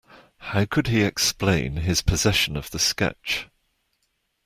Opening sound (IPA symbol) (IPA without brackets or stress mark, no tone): h